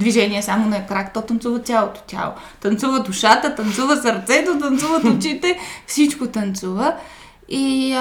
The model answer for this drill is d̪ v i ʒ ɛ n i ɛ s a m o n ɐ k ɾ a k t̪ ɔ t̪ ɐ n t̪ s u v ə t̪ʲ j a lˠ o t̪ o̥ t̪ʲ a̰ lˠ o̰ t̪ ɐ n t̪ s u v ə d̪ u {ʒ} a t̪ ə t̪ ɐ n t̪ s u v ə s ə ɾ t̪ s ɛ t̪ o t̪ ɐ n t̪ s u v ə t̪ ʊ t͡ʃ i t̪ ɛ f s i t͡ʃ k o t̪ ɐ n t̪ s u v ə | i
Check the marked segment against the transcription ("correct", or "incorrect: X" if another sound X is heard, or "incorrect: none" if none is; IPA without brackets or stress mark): incorrect: ʃ